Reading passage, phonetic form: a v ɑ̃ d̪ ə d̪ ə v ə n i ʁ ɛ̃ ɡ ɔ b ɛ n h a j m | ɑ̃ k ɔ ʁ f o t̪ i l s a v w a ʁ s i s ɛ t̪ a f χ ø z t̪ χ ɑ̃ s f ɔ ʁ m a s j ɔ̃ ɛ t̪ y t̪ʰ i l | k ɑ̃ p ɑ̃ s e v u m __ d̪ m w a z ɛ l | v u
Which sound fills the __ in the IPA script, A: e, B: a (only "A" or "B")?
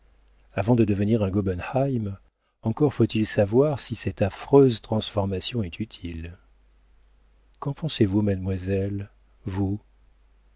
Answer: B